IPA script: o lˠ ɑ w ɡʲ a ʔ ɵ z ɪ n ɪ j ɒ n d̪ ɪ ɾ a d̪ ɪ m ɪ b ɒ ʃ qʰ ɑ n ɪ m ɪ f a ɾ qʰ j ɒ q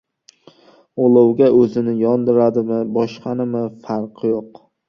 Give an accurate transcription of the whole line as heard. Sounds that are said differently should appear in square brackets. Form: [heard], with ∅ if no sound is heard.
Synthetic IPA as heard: o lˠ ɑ w ɡʲ a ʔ ɵ z ɪ n ɪ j ɒ n d̪ ɪ ɾ a d̪ ɪ m ɪ b ɒ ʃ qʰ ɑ n ɪ m ɪ f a ɾ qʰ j [o] q

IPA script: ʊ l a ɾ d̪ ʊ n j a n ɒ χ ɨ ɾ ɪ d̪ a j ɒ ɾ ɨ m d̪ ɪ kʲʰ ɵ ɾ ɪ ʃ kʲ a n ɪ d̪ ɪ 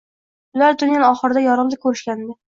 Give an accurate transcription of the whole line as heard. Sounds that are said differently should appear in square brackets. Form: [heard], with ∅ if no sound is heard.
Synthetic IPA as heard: ʊ l a ɾ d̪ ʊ n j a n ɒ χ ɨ ɾ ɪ d̪ a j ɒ ɾ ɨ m d̪ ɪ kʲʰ ɵ ɾ ɪ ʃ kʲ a n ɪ d̪ ɪ

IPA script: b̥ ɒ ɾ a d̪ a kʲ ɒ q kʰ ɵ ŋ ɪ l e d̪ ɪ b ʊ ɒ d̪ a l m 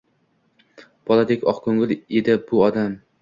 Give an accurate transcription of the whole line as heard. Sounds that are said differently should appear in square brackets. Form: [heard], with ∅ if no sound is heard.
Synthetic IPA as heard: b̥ ɒ [l] a d̪ [e] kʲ ɒ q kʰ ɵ ŋ ɪ l e d̪ ɪ b ʊ ɒ d̪ a [∅] m

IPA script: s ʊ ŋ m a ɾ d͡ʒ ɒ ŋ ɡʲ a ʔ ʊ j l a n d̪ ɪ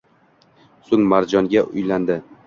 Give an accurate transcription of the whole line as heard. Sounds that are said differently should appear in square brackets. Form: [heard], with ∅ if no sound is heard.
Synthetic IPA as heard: s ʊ ŋ m a ɾ d͡ʒ ɒ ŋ ɡʲ a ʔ ʊ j l a n d̪ ɪ

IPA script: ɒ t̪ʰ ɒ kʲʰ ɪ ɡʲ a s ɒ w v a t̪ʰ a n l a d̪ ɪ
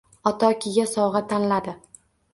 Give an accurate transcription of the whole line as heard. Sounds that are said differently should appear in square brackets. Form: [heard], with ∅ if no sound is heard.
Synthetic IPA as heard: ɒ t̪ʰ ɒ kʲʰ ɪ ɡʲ a s ɒ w [ʁ] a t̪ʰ a n l a d̪ ɪ

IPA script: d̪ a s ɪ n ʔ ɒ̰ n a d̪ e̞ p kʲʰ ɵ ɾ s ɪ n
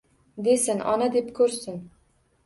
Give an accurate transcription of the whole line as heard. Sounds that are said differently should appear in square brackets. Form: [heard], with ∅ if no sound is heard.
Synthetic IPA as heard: d̪ [e] s ɪ n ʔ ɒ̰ n a d̪ e̞ p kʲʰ ɵ ɾ s ɪ n

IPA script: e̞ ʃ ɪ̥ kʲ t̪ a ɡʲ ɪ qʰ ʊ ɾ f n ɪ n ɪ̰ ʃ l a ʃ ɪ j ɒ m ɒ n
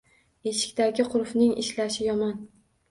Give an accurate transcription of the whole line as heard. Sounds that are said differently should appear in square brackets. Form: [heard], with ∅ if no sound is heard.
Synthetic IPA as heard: e̞ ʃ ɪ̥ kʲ t̪ a ɡʲ ɪ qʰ ʊ ɾ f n ɪ [ŋ] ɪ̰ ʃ l a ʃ ɪ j ɒ m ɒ n

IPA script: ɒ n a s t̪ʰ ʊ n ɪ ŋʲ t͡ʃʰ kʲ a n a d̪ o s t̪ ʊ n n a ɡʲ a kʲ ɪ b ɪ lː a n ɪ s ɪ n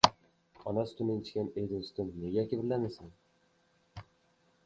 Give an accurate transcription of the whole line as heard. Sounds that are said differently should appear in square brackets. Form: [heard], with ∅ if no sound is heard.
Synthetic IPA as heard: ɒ n a s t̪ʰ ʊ n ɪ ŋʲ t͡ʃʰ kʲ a n [e] d̪ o s t̪ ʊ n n [e] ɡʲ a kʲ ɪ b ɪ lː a n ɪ s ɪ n

